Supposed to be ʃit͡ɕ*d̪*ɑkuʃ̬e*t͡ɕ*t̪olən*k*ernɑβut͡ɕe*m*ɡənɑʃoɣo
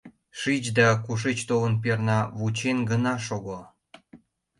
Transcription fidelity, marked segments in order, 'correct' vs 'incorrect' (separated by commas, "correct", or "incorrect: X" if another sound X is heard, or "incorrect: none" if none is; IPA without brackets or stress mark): correct, correct, incorrect: p, incorrect: n